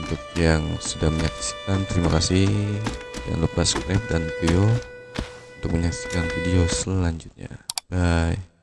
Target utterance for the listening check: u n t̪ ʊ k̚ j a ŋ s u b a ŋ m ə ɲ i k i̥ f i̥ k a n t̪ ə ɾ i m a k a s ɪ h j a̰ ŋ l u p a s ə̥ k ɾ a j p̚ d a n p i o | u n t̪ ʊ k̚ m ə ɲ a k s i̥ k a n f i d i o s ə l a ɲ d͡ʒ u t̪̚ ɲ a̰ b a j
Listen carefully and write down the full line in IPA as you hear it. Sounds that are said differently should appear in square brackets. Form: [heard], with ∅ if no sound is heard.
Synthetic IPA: u n t̪ ʊ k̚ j a ŋ s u [d] a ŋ m ə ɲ [a] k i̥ [s] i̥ k a n t̪ ə ɾ i m a k a s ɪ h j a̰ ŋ l u p a s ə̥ k ɾ a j p̚ d a n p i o | u n t̪ ʊ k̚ m ə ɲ a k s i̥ k a n f i d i o s ə l a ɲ d͡ʒ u t̪̚ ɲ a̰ b a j